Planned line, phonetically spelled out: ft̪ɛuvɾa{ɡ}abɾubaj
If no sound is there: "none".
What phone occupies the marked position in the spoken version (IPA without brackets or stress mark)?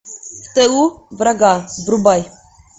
ɡ